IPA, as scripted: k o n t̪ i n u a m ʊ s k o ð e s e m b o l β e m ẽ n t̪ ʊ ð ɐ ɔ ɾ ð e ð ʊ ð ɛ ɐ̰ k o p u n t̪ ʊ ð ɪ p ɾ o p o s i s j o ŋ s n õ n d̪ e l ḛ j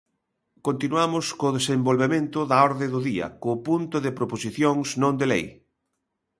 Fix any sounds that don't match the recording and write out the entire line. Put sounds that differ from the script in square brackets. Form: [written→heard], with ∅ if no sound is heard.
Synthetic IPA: k o n t̪ i n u a m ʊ s k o ð e s e m b o l β e m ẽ n t̪ ʊ ð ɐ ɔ ɾ ð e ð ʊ ð [ɛ→i] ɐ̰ k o p u n t̪ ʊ ð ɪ p ɾ o p o s i [s→θ] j o ŋ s n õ n d̪ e l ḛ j